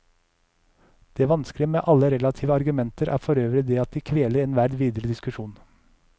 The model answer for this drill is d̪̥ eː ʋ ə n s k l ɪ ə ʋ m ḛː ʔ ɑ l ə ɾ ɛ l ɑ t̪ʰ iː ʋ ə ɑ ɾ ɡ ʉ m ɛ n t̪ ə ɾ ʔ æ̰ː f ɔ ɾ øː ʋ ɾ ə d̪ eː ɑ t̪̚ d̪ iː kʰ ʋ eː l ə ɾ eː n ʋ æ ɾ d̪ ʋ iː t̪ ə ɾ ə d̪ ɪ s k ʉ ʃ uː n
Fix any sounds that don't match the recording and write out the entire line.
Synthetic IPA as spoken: d̪̥ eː ʋ ɑ n s k l ɪ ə m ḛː ʔ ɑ l ə ɾ ɛ l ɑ t̪ʰ iː ʋ ə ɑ ɾ ɡ ʉ m ɛ n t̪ ə ɾ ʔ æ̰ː f ɔ ɾ øː ʋ ɾ ə d̪ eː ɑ t̪̚ d̪ iː kʰ ʋ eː l ə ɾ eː n ʋ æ ɾ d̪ ʋ iː d̪ ə ɾ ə d̪ ɪ s k ʉ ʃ uː n